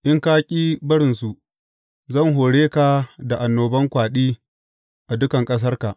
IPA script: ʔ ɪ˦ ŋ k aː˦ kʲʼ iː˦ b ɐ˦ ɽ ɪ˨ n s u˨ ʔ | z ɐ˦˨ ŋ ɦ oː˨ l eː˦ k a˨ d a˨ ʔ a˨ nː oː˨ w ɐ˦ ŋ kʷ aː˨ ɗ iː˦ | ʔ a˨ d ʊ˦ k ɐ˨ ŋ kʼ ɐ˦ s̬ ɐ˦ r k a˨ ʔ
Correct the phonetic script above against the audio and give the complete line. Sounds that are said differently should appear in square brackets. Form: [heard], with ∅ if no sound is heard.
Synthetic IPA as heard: ʔ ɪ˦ ŋ k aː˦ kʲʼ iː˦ b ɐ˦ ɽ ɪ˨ n s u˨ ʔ | z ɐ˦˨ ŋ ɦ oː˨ [ɽ] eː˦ k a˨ d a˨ ʔ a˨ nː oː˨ [b] ɐ˦ ŋ kʷ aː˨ ɗ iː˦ | ʔ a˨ d ʊ˦ k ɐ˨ ŋ kʼ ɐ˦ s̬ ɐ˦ r k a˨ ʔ